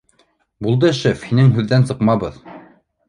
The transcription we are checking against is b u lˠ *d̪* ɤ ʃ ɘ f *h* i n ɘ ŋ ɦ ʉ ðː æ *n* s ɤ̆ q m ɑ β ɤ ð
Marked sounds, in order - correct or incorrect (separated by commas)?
correct, correct, correct